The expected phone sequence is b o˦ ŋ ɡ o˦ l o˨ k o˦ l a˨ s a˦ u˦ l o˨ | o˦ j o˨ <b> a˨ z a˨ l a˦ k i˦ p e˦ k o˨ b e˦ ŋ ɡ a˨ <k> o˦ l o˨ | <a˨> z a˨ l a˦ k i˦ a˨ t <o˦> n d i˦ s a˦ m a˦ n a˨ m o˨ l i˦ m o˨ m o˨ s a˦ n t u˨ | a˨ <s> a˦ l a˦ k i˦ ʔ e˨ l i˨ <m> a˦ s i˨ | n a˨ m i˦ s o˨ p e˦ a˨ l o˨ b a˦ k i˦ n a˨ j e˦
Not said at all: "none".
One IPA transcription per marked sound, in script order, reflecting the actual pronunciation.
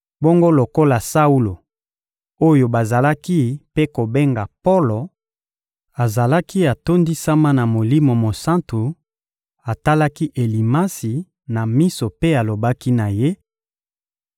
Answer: b, p, a˨, o˦, t, m

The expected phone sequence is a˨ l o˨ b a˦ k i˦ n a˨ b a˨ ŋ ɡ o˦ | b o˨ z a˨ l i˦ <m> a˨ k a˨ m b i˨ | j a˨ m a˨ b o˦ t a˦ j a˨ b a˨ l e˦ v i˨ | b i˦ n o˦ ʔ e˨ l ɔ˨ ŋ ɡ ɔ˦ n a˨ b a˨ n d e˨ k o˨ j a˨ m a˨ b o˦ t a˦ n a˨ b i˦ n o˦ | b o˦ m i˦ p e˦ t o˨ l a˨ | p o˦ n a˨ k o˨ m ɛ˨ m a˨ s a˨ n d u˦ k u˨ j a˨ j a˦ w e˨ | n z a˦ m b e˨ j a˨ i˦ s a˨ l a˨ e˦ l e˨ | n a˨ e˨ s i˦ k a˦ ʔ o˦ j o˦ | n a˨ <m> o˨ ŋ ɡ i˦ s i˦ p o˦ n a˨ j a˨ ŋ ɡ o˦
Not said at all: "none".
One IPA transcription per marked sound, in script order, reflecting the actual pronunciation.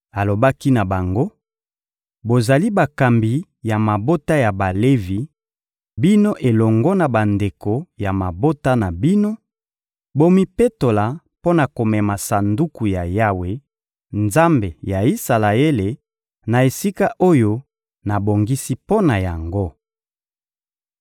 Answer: b, b

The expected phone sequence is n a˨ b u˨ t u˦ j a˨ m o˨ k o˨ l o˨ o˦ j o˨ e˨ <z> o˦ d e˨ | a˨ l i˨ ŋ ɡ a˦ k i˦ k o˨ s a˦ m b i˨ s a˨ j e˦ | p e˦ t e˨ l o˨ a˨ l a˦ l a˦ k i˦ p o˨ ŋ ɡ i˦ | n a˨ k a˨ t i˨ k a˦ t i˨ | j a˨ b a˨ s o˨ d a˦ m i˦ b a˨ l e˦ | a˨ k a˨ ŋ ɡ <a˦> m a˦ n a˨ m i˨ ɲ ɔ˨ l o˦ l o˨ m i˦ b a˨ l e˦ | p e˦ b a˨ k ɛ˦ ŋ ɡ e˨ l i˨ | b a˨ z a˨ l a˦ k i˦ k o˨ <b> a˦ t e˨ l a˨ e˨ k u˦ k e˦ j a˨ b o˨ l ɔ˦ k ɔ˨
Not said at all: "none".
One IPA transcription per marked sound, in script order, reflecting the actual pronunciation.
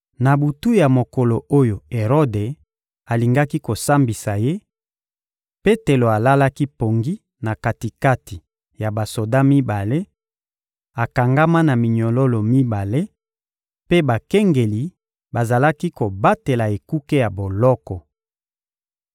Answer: ʁ, a˦, b

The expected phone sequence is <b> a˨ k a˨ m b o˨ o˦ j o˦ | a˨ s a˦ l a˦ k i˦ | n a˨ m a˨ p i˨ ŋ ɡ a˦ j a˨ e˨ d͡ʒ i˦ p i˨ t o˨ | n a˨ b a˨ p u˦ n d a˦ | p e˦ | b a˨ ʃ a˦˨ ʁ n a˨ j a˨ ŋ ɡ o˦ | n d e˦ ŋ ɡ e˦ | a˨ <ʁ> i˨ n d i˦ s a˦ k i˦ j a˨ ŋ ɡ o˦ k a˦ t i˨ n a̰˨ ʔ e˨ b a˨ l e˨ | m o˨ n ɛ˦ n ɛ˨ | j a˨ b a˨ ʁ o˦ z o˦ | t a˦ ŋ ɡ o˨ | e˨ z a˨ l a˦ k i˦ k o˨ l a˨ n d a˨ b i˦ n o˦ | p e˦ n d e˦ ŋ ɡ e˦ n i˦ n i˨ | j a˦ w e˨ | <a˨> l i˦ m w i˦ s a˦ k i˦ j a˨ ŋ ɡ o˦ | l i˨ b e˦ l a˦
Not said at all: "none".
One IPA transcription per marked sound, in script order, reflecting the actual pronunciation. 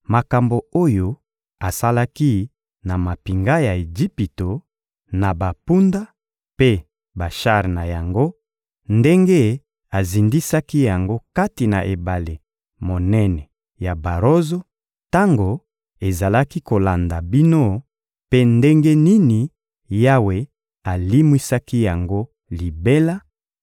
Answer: m, z, a˨

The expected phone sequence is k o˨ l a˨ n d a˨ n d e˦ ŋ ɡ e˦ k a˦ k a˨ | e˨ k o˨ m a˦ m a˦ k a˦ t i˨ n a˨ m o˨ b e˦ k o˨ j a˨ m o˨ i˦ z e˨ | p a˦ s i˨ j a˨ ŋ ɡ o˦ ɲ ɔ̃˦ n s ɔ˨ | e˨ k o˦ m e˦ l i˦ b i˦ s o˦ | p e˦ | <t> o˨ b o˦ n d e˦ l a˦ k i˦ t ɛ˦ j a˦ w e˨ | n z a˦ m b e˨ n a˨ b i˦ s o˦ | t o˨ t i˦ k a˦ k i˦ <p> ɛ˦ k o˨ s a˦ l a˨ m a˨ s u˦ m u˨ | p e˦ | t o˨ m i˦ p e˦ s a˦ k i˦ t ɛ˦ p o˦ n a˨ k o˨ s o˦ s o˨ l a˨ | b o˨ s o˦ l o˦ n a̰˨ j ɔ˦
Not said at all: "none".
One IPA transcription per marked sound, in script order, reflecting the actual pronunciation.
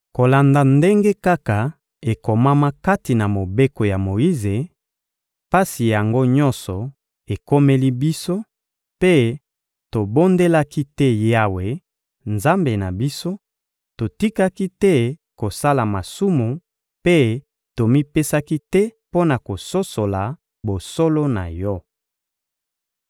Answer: t, t

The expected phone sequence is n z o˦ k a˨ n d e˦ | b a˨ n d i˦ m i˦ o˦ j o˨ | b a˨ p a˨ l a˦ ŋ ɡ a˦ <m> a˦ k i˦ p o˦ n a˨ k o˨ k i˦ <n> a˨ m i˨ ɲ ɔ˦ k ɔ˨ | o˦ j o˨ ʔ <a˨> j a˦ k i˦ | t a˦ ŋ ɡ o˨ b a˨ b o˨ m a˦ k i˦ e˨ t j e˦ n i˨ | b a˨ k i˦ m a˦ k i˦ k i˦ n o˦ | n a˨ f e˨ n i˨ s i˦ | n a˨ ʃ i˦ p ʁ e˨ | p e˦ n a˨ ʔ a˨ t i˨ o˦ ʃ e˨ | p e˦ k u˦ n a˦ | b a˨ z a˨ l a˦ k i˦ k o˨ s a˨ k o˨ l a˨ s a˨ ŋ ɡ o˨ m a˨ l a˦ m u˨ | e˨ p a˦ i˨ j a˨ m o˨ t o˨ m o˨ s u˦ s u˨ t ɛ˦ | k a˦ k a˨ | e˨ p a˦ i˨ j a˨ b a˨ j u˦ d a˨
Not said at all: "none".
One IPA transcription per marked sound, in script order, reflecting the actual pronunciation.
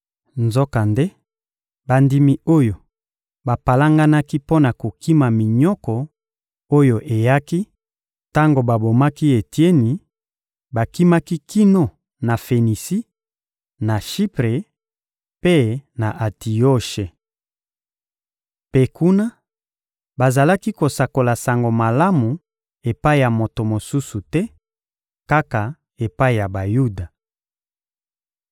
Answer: n, m, e˨

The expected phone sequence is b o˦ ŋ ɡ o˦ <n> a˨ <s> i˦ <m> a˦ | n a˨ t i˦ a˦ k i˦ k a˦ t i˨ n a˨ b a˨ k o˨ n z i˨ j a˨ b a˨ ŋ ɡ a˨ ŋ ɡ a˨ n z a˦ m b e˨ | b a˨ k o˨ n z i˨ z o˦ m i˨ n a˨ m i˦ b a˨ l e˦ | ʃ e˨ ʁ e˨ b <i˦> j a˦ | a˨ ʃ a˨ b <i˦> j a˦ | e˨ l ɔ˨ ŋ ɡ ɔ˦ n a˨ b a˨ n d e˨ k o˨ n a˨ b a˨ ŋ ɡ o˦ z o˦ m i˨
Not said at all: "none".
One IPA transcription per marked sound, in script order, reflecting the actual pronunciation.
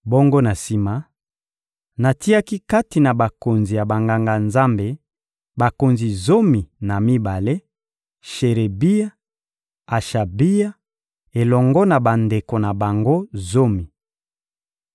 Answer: n, s, m, i˦, i˦

